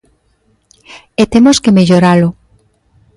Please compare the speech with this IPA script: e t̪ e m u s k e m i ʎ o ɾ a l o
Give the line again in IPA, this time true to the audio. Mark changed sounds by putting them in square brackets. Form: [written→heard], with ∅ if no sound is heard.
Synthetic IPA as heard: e t̪ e m [u→o] s k e m [i→e] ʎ o ɾ a l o